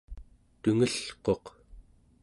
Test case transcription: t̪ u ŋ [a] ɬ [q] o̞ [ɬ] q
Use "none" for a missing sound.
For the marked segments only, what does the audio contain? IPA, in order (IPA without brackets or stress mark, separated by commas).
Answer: ə, q, none